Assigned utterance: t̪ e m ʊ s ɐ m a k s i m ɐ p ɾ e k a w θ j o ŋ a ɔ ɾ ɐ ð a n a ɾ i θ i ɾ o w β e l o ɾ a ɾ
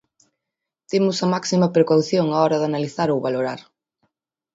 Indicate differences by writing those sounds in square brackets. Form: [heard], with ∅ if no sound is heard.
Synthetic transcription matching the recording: t̪ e m ʊ s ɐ m a k s i m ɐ p ɾ e k a w θ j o ŋ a ɔ ɾ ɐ ð a n a [l] i θ [a] ɾ o w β [a] l o ɾ a ɾ